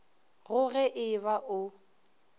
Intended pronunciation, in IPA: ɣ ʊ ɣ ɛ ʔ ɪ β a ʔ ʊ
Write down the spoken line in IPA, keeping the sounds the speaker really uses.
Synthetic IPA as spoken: ɣ ʊ ɣ ɛ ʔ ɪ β a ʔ ʊ